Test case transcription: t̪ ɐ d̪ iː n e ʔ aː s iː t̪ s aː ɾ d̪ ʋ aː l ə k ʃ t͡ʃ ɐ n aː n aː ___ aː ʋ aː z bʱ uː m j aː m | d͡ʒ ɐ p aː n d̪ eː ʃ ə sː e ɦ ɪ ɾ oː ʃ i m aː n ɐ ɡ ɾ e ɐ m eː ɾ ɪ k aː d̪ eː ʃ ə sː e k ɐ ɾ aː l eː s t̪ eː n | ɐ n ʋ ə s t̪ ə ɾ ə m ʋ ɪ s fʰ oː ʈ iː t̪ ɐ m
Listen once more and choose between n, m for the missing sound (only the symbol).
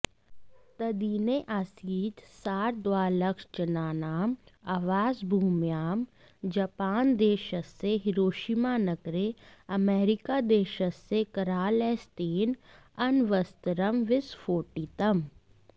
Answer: m